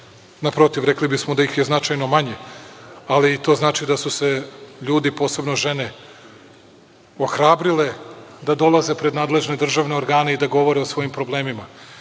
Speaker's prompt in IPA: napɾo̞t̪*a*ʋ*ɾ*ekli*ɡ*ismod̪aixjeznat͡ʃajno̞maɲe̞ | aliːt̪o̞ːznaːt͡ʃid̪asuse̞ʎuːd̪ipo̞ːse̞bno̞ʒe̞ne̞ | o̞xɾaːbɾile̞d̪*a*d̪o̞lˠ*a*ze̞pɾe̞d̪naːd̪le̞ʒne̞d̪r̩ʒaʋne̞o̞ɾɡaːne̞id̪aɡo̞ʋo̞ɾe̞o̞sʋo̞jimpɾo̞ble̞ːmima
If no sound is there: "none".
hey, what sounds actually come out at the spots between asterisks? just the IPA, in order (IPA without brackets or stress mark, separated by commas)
i, ɾ, b, a, a